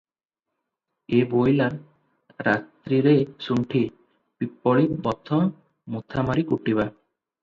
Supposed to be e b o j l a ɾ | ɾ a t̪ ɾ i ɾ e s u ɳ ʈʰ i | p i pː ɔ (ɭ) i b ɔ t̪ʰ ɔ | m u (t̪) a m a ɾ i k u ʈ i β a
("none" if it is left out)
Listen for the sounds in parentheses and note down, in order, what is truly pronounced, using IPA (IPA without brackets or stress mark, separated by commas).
ɭ, t̪ʰ